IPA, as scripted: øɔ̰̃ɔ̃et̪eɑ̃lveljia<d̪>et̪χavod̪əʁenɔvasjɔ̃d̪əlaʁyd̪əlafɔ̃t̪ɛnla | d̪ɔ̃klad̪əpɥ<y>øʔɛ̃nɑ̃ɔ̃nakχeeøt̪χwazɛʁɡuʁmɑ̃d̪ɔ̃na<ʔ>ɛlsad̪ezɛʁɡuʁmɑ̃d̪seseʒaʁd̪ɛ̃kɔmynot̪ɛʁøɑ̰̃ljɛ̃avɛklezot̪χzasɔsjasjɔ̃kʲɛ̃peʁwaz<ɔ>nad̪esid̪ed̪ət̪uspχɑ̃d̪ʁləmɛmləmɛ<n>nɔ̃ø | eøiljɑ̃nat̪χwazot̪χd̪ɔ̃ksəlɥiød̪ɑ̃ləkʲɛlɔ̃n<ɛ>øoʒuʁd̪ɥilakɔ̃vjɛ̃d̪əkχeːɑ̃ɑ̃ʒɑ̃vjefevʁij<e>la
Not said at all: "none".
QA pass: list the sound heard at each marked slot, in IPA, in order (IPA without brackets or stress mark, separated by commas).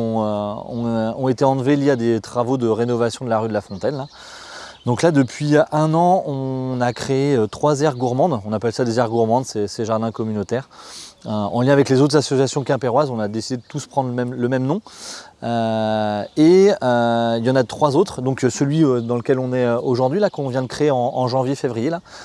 d̪, i, p, ɔ̃, m, ɛ, e